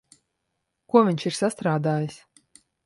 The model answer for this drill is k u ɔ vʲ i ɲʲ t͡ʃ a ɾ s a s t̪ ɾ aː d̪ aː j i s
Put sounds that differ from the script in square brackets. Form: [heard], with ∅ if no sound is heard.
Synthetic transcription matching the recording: k u ɔ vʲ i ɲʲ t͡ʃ [i] ɾ s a s t̪ ɾ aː d̪ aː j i s